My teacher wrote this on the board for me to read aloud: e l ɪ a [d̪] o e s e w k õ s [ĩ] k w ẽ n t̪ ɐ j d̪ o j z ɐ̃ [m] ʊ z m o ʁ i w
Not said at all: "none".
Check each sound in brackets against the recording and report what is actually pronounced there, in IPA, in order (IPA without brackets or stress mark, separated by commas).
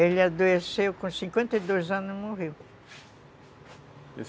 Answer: d̪, ĩ, n